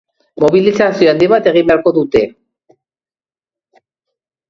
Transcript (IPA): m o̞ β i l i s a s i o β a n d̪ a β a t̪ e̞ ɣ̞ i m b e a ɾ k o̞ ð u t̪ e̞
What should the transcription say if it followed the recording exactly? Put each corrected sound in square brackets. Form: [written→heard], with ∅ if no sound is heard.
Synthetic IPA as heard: m o̞ β i l i s a s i o [β→∅] a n d̪ [a→i] β a t̪ e̞ ɣ̞ i m b e a ɾ k o̞ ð u t̪ e̞